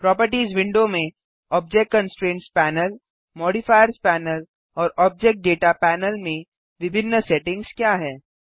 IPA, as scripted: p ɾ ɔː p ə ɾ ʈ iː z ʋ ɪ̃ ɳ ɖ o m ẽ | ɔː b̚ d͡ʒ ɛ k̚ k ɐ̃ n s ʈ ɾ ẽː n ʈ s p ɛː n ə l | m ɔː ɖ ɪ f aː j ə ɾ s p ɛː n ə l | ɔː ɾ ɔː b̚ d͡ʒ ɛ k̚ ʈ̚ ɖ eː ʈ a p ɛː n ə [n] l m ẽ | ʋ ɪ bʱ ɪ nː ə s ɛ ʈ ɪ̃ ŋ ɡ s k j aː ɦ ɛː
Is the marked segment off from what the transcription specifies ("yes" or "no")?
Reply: yes